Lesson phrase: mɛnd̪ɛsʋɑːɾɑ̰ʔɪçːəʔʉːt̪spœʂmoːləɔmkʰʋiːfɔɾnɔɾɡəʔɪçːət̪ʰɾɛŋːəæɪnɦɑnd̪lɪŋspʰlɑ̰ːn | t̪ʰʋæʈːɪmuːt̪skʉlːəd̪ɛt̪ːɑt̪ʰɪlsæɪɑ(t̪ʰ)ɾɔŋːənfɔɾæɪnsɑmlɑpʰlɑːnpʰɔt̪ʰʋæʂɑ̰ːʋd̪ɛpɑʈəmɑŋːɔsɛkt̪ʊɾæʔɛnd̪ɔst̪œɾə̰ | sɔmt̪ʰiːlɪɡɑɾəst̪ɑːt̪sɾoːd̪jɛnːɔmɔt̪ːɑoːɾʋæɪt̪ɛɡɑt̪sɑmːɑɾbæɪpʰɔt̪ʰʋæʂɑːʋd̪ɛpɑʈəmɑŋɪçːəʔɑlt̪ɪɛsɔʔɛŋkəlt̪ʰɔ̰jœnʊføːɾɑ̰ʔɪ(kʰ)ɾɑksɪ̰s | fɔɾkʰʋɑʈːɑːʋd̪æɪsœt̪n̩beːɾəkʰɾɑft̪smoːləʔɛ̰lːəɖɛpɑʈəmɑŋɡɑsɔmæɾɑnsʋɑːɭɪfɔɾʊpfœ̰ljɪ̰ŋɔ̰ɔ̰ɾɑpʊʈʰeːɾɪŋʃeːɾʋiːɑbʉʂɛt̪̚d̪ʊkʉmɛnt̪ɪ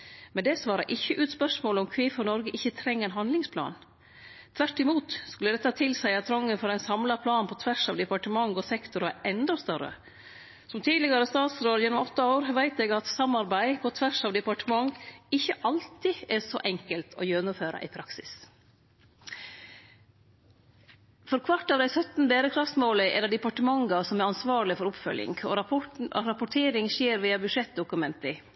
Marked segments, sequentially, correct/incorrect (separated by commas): correct, incorrect